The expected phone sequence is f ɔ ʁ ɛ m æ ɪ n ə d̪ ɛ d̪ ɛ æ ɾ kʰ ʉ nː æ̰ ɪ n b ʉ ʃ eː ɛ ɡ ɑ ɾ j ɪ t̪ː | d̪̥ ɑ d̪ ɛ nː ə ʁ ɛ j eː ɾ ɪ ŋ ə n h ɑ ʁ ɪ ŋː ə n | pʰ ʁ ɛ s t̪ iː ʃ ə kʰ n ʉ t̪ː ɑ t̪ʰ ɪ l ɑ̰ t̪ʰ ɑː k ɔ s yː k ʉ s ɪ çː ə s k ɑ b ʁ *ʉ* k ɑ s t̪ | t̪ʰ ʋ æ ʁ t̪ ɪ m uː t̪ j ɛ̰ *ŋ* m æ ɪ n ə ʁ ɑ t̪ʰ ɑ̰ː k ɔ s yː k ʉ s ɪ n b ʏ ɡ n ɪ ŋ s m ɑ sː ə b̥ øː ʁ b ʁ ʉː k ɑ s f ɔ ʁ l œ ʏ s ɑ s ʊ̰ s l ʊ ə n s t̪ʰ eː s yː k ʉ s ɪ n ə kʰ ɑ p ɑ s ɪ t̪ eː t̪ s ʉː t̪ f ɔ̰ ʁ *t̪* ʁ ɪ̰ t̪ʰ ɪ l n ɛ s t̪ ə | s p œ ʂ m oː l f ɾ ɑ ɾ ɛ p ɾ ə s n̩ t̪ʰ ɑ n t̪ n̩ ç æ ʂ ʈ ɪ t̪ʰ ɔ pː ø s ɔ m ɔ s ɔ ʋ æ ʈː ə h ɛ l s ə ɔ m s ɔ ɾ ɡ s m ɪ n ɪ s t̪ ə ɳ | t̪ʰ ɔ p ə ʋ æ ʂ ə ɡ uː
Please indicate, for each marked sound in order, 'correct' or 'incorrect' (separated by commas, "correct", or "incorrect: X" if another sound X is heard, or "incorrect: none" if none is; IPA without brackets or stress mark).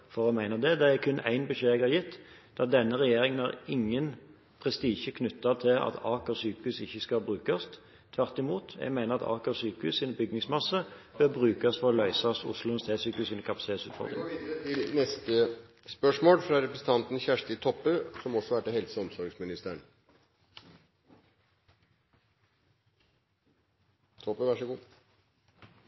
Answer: incorrect: ʉː, incorrect: ɡ, incorrect: d̪